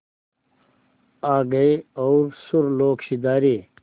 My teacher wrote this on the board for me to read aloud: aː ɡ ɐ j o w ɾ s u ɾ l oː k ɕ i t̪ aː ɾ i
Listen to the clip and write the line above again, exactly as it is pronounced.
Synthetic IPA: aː ɡ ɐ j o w ɾ s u ɾ l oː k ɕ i d̪ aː ɾ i

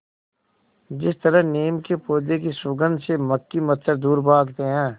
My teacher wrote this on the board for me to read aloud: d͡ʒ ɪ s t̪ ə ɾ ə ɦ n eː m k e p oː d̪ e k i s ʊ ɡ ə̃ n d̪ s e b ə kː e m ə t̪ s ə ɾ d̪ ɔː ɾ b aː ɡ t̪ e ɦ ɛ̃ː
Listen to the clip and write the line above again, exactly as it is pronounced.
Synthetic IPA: d͡ʒ ɪ s t̪ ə ɾ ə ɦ n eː m k e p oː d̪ e k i s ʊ ɡ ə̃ n d̪ s e m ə kː i m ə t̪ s ə ɾ d̪ uː ɾ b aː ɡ t̪ e ɦ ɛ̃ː

